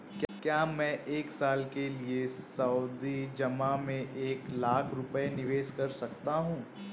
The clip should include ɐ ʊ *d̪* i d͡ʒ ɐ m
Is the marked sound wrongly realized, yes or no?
no